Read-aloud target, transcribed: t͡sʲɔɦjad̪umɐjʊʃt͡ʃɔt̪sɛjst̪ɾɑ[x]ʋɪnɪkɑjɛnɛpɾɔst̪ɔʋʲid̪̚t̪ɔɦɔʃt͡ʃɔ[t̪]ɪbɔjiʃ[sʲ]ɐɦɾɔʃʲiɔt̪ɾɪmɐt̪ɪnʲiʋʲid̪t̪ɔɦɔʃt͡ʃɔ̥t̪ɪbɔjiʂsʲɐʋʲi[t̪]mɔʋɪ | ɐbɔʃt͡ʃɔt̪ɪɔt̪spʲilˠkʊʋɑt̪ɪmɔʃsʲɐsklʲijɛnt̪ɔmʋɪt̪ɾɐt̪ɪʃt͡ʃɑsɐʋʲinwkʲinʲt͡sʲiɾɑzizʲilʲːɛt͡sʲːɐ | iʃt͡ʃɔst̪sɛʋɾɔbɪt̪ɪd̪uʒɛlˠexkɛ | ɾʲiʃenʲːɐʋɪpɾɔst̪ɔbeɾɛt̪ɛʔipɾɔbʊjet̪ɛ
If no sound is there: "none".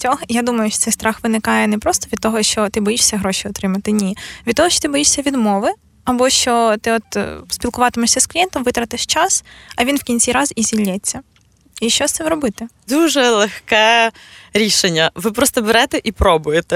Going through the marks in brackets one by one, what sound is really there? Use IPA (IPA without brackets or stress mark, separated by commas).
x, t̪, sʲ, d̪